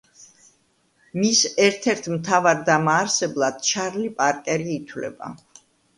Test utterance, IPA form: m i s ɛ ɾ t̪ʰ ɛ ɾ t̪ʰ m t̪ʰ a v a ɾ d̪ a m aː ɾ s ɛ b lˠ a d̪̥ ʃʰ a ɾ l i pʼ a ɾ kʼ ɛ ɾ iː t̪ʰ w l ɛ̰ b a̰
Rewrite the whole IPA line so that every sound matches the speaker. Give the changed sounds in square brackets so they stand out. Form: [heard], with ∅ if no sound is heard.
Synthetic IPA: m i s ɛ ɾ t̪ʰ ɛ ɾ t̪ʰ m t̪ʰ a v a ɾ d̪ a m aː ɾ s ɛ b lˠ a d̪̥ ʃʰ a ɾ l i pʼ a ɾ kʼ ɛ ɾ iː t̪ʰ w l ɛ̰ b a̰